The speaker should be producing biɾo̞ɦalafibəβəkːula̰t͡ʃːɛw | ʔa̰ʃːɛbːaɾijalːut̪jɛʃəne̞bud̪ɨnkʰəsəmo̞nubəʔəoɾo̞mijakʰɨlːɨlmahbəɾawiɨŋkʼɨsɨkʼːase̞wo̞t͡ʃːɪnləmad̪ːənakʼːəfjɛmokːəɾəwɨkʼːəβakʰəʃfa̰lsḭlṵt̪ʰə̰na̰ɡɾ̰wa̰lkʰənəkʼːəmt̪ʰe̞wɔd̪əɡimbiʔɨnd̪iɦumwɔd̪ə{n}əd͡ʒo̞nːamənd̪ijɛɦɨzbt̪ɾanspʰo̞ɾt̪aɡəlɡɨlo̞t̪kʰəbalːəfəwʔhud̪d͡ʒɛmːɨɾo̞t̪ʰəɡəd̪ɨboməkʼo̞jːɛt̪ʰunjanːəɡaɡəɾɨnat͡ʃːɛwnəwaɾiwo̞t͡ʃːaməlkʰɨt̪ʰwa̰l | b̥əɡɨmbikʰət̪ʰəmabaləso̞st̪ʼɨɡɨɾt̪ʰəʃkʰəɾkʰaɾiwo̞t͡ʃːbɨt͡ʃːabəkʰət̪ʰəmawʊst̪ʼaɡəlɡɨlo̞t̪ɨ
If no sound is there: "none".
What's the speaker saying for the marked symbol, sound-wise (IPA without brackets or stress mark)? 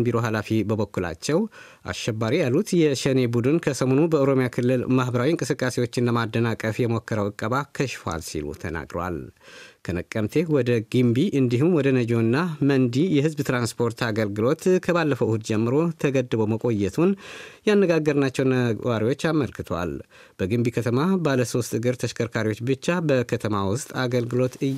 n